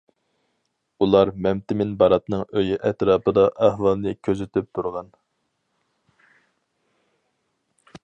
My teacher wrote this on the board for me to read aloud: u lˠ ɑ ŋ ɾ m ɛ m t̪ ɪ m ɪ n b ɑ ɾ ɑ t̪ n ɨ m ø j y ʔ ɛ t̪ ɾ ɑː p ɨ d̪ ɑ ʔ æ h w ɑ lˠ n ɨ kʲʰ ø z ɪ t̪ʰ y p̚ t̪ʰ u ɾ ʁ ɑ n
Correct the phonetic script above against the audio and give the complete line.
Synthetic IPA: u lˠ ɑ ɾ m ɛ m t̪ ɪ m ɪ n b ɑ ɾ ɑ t̪ n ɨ ŋ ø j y ʔ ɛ t̪ ɾ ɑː p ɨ d̪ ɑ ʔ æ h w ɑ lˠ n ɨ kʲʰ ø z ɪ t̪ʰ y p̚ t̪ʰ u ɾ ʁ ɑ n